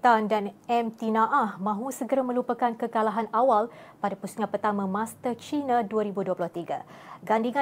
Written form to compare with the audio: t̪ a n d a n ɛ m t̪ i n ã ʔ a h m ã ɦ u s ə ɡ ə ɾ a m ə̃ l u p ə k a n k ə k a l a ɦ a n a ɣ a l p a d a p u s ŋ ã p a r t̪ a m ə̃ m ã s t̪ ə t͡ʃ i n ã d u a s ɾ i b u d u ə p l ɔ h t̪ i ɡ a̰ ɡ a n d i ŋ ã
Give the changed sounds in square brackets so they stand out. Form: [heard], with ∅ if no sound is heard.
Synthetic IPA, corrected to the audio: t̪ a n d a n ɛ m t̪ i n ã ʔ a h m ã ɦ u s ə ɡ ə ɾ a m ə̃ l u p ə k a n k ə k a l a ɦ a n a [w] a l p a d a p u s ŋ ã p [ə] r t̪ a m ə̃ m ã s t̪ ə t͡ʃ i n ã d u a [∅] ɾ i b u d u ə p l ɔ h t̪ i ɡ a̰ ɡ a n d i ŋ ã